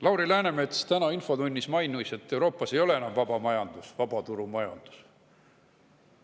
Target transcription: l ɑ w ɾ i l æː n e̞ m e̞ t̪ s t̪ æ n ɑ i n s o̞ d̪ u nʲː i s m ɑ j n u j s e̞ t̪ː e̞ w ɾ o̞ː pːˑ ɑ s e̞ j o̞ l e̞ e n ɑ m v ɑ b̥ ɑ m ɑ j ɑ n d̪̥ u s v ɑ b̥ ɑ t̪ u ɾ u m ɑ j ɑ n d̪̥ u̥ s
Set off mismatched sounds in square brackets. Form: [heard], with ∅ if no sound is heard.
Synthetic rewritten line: l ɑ w ɾ i l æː n e̞ m e̞ t̪ s t̪ æ n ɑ i n [f] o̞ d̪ u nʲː i s m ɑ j n u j s e̞ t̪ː e̞ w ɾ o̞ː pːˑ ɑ s e̞ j o̞ l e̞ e n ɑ m v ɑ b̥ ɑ m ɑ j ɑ n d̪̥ u s v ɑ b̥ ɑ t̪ u ɾ u m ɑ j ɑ n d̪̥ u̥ s